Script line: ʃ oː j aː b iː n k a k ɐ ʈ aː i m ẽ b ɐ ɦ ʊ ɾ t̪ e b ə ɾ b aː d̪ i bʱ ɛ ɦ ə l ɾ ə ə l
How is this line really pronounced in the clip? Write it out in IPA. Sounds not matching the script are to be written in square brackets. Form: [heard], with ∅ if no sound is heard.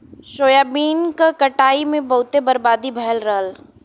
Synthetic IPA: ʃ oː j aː b iː n k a k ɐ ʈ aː i m ẽ b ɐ ɦ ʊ [∅] t̪ e b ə ɾ b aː d̪ i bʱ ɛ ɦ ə l ɾ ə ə l